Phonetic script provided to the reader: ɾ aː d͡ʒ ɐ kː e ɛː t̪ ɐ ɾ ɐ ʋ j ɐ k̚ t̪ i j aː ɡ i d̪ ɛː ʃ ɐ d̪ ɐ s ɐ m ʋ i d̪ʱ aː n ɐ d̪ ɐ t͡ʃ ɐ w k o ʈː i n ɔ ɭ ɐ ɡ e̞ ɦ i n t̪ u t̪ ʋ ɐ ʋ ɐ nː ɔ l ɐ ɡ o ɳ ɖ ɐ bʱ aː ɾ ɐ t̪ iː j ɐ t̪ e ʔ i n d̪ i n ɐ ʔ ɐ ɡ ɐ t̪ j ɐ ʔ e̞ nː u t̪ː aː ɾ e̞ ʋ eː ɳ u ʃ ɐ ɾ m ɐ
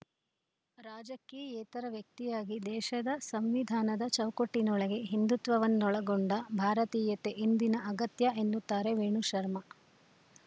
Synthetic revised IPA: ɾ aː d͡ʒ ɐ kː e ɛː t̪ ɐ ɾ ɐ ʋ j ɐ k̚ t̪ i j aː ɡ i d̪ ɛː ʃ ɐ d̪ ɐ s ɐ m ʋ i d̪ʱ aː n ɐ d̪ ɐ t͡ʃ ɐ w k o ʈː i n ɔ ɭ ɐ ɡ e̞ ɦ i n d̪ u t̪ ʋ ɐ ʋ ɐ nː ɔ ɭ ɐ ɡ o ɳ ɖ ɐ bʱ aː ɾ ɐ t̪ iː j ɐ t̪ e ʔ i n d̪ i n ɐ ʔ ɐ ɡ ɐ t̪ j ɐ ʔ e̞ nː u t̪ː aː ɾ e̞ ʋ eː ɳ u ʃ ɐ ɾ m ɐ